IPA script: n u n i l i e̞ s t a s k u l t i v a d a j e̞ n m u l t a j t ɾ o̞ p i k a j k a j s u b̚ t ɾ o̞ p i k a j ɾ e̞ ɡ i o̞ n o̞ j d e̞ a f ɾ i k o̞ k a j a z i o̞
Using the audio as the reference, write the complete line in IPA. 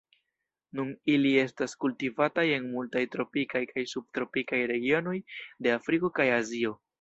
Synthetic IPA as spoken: n u n i l i e̞ s t a s k u l t i v a t a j e̞ n m u l t a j t ɾ o̞ p i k a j k a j s u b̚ t ɾ o̞ p i k a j ɾ e̞ ɡ i o̞ n o̞ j d e̞ a f ɾ i k o̞ k a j a z i o̞